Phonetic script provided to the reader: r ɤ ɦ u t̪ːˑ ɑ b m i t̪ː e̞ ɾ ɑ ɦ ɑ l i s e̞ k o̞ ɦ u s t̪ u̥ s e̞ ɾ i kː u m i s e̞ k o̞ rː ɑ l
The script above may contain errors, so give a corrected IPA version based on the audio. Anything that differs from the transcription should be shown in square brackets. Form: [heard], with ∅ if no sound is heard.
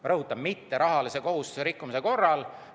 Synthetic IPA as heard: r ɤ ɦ u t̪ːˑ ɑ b m i t̪ː e̞ ɾ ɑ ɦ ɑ l i s e̞ k o̞ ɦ u s t̪ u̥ s e̞ ɾ i kː u m i s e̞ k o̞ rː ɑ l